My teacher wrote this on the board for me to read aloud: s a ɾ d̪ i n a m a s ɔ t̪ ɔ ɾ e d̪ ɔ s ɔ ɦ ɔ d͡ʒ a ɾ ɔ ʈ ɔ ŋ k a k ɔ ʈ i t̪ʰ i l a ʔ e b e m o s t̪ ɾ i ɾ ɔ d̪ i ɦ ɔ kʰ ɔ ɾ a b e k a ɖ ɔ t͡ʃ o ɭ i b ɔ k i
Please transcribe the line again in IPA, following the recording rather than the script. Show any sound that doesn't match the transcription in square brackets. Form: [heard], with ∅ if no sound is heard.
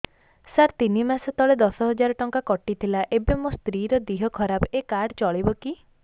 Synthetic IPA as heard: s a ɾ [t̪] i n [i] m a s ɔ t̪ ɔ [ɭ] e d̪ ɔ s ɔ ɦ ɔ d͡ʒ a ɾ ɔ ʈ ɔ ŋ k a k ɔ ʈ i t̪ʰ i l a ʔ e b e m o s t̪ ɾ i ɾ ɔ d̪ i ɦ ɔ kʰ ɔ ɾ a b e k a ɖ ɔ t͡ʃ [ɔ] ɭ i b ɔ k i